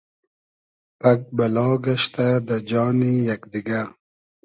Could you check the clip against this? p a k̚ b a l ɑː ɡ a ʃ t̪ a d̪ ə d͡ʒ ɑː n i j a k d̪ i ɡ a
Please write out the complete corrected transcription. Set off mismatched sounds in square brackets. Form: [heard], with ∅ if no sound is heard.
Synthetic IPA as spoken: p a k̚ b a l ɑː ɡ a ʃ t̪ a d̪ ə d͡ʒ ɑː n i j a k d̪ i ɡ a

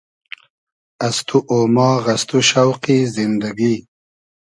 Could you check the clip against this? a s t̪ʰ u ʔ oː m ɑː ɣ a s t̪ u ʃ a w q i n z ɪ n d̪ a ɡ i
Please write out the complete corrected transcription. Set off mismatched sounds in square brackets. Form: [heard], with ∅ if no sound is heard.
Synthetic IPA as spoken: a s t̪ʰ u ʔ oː m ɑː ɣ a s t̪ u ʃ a w q i [∅] z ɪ n d̪ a ɡ i

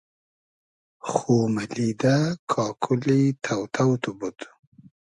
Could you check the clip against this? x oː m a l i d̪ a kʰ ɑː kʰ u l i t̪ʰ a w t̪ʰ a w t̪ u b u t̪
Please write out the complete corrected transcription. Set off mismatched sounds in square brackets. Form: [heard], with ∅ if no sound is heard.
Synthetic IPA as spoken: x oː m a l i d̪ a kʰ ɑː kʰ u l i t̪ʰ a w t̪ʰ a w t̪ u b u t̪

